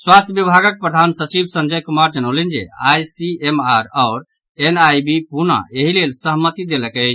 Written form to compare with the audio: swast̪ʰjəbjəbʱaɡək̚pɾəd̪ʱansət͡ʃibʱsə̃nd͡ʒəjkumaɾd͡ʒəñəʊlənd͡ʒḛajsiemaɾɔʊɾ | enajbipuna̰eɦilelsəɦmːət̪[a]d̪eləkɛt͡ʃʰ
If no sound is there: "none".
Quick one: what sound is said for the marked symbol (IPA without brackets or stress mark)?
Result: i